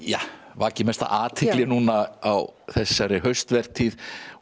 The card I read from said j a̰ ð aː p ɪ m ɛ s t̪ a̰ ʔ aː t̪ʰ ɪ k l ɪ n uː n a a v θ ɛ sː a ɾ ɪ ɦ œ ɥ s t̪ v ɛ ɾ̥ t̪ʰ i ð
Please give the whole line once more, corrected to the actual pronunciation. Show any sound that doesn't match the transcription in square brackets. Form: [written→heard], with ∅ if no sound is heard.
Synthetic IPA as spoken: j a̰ [ð→v] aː [p→c] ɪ m ɛ s t̪ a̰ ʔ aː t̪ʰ ɪ k l ɪ n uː n a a [v→w] θ ɛ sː a ɾ ɪ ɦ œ ɥ s t̪ v ɛ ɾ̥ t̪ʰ i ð